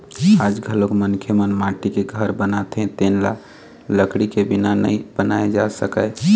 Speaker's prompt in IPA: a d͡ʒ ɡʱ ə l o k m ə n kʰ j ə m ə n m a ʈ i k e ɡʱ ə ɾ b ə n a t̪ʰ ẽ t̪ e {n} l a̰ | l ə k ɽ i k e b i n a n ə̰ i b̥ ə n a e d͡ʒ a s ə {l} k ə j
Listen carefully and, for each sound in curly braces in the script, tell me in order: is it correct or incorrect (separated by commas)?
correct, incorrect